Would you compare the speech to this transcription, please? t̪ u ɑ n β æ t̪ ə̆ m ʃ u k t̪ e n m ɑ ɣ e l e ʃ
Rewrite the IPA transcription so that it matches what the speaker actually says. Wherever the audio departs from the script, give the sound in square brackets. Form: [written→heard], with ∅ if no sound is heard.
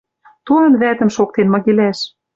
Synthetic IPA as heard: t̪ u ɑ n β æ t̪ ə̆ m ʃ [u→o] k t̪ e n m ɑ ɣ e l [e→æ] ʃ